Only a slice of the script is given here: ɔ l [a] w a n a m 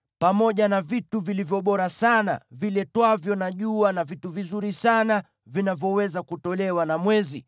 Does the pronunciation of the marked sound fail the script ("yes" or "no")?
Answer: yes